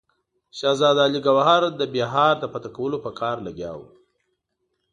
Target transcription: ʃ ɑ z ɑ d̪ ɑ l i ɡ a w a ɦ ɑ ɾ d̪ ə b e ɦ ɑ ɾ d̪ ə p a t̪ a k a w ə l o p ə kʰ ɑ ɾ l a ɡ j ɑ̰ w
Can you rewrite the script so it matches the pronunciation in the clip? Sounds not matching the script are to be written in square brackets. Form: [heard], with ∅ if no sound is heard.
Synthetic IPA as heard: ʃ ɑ z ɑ d̪ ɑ l i ɡ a w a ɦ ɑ ɾ d̪ ə b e ɦ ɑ ɾ d̪ ə p a t̪ a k a w ə l o p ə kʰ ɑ ɾ l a ɡ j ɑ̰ w